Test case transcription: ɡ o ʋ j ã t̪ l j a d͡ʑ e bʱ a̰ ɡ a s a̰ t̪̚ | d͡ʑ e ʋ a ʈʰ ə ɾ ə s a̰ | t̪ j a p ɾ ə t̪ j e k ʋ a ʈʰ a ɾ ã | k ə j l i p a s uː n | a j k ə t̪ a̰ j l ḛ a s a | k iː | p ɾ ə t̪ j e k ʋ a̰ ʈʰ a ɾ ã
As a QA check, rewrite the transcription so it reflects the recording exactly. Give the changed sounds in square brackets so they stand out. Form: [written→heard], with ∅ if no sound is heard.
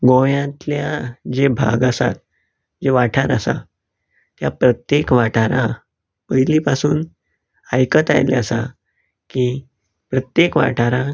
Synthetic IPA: ɡ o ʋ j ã t̪ l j a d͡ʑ e bʱ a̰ ɡ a s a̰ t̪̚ | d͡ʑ e ʋ a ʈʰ [ə→a] ɾ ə s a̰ | t̪ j a p ɾ ə t̪ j e k ʋ a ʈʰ a ɾ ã | [k→p] ə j l i p a s uː n | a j k ə t̪ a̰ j l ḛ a s a | k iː | p ɾ ə t̪ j e k ʋ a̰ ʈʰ a ɾ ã